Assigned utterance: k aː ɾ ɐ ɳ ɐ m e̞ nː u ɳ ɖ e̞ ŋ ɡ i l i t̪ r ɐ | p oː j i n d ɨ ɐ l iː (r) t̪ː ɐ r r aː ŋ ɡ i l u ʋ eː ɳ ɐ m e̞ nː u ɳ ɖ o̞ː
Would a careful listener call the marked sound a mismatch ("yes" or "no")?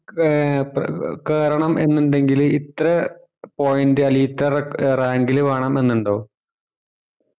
yes